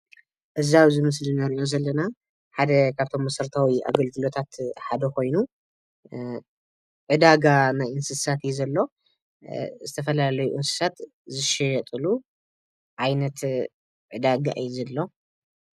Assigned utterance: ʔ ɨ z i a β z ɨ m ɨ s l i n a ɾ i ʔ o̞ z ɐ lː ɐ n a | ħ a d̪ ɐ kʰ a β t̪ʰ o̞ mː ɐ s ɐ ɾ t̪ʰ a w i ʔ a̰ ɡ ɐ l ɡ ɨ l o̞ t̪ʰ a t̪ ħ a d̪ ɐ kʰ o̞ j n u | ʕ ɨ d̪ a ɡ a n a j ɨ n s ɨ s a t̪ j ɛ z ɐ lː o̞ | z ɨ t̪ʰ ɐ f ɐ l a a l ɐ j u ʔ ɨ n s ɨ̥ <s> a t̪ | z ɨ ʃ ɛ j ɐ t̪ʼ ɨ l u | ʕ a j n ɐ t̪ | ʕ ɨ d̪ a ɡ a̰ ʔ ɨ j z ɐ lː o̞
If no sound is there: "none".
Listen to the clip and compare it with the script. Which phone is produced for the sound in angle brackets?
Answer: s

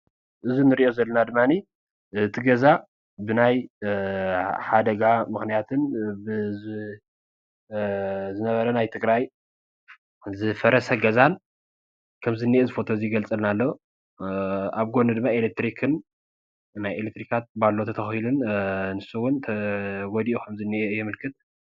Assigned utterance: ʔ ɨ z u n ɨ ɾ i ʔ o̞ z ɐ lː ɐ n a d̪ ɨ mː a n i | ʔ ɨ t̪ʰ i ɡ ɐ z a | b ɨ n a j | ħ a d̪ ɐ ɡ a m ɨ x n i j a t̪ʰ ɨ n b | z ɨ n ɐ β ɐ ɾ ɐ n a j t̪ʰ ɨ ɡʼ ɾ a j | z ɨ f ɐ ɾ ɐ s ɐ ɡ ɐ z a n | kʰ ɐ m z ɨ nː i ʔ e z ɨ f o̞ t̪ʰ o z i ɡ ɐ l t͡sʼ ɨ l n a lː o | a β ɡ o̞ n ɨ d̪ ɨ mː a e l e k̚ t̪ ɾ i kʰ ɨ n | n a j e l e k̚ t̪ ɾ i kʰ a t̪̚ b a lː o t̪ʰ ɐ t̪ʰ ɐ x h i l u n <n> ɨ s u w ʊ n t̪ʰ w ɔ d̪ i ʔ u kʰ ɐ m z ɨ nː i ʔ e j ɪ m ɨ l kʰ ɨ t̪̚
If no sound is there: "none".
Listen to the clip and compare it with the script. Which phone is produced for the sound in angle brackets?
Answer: n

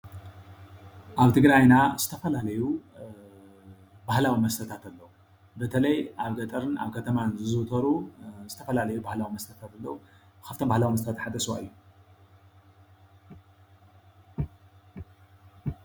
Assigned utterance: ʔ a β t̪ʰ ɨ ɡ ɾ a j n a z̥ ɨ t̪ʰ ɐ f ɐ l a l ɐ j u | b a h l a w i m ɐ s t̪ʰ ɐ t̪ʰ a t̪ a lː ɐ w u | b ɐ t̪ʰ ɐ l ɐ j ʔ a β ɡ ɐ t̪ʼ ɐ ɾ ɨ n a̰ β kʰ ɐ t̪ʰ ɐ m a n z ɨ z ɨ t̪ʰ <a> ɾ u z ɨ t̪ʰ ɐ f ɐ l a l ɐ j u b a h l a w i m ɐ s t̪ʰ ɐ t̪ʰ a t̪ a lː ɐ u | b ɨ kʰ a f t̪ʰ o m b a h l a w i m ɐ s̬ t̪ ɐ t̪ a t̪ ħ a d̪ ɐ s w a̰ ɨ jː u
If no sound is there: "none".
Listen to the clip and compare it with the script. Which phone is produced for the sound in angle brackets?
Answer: ɐ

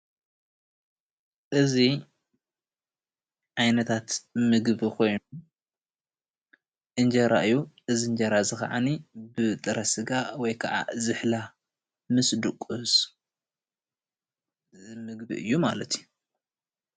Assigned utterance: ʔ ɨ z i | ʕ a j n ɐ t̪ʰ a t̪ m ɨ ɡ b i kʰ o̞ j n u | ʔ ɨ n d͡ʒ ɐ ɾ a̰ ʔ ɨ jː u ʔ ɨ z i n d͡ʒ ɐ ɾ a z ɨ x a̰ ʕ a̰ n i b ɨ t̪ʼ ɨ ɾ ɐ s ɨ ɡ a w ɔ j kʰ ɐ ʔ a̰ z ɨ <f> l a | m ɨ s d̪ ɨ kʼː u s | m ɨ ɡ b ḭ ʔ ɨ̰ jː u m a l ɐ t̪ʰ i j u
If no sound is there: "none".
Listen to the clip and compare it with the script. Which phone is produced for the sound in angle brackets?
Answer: ħ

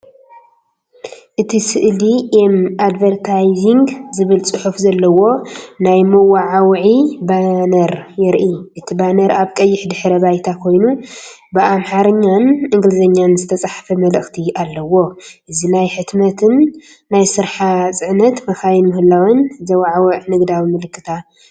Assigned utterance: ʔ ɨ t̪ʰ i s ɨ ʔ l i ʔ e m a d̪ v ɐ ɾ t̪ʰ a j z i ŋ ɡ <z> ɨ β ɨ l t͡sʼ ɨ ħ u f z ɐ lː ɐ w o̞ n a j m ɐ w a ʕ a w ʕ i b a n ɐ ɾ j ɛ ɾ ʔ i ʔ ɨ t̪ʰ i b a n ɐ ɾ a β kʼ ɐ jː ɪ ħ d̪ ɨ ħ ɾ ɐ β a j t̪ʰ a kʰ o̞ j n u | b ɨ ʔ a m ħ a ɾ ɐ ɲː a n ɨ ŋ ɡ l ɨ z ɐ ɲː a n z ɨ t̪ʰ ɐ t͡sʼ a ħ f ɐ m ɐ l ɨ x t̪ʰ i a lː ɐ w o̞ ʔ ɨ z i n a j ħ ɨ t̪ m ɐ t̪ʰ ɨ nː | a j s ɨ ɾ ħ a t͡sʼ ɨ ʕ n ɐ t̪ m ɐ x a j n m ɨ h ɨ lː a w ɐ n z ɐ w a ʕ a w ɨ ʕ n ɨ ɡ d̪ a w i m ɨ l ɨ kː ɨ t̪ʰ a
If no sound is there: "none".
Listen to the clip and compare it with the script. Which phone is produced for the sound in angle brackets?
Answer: z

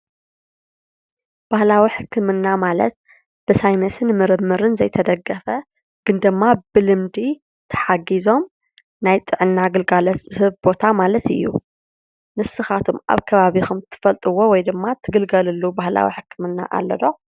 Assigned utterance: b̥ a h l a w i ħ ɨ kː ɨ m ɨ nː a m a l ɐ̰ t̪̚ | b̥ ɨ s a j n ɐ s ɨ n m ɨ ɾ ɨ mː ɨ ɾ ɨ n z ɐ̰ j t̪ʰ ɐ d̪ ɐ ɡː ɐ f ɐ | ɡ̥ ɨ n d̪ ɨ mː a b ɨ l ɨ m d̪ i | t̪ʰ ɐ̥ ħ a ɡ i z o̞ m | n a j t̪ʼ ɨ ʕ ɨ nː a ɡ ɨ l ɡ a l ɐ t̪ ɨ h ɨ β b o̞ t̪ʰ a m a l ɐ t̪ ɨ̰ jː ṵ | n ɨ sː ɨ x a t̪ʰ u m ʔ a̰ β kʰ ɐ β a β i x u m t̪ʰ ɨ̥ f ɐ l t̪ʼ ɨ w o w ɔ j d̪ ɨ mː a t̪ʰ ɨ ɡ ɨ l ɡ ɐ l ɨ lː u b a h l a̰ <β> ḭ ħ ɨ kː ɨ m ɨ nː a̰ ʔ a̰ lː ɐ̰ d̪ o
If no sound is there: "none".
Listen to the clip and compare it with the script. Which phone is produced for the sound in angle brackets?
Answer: w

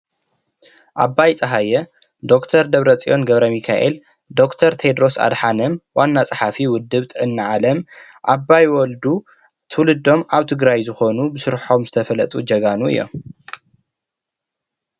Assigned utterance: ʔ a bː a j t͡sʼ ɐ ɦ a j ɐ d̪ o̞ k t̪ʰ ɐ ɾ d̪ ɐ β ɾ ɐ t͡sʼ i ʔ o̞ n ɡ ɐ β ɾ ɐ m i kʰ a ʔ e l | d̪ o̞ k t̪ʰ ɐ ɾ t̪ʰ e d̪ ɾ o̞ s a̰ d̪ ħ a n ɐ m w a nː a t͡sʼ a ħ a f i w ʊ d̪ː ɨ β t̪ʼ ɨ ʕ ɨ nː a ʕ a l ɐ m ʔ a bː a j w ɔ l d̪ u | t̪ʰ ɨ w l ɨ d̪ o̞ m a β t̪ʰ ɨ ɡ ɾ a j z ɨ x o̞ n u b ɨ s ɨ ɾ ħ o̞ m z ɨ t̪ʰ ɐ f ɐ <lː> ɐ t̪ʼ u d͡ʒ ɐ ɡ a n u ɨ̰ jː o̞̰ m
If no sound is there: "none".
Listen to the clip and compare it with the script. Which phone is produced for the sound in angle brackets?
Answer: l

